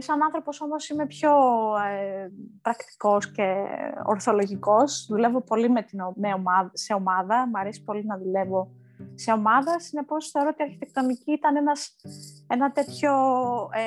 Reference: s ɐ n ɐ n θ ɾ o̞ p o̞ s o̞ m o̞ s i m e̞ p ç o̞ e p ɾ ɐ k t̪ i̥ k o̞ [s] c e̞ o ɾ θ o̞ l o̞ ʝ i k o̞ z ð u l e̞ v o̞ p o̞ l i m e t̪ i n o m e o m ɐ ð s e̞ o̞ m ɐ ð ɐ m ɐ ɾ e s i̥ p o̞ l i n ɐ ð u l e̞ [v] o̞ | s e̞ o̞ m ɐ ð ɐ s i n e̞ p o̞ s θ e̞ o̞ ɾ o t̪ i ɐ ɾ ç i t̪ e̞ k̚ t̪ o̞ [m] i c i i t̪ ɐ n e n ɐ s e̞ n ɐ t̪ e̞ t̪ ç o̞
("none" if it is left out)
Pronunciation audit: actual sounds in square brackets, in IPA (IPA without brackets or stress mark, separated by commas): s, v, n